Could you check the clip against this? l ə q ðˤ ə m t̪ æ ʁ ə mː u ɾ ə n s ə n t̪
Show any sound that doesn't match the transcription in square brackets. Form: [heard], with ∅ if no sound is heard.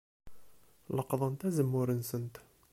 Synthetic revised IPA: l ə q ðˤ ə [n] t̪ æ [z] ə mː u ɾ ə n s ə n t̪